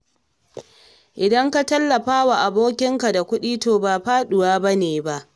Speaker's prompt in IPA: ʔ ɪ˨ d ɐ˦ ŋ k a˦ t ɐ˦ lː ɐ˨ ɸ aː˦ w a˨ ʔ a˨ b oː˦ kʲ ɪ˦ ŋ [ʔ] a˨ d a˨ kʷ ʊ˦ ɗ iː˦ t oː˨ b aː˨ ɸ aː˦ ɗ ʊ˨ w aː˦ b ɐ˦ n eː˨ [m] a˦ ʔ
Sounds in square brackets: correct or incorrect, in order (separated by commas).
incorrect, incorrect